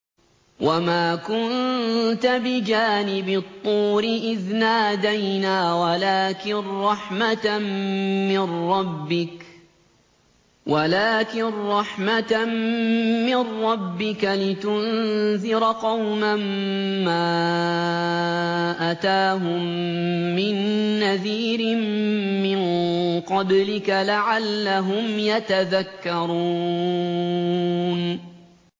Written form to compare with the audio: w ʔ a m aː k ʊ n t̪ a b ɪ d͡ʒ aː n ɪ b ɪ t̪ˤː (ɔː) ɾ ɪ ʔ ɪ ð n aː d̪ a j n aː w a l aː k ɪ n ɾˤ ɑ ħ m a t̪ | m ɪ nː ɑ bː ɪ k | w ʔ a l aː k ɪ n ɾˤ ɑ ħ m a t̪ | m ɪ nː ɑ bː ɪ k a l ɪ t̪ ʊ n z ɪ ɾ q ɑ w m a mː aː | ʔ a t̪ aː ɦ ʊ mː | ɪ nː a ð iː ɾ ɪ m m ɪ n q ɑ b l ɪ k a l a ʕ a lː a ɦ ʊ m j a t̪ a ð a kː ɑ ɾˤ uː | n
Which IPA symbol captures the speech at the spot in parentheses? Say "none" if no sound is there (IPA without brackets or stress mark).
uː